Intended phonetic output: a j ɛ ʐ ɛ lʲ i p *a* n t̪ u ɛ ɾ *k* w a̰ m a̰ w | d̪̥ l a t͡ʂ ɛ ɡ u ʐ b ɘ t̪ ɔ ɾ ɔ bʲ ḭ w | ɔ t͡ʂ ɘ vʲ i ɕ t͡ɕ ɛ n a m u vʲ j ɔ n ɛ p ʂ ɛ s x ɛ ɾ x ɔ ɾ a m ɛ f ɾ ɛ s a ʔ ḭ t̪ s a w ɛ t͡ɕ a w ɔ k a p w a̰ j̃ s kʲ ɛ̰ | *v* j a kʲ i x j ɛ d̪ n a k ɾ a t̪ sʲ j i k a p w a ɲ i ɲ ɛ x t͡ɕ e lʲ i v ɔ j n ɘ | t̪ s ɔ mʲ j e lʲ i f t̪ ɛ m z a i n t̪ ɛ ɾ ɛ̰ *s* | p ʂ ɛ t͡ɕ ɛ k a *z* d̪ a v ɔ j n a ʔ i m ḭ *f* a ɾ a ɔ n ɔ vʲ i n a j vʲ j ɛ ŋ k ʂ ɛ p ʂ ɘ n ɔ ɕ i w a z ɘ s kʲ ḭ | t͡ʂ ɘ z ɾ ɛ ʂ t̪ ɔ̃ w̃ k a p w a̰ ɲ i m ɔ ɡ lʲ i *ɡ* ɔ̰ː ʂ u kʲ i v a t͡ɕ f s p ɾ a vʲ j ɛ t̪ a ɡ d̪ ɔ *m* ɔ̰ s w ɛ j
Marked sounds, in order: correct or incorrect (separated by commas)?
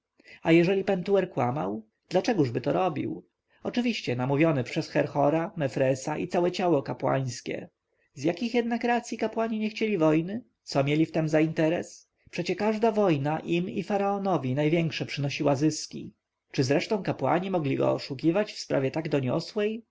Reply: incorrect, correct, incorrect, correct, incorrect, correct, correct, incorrect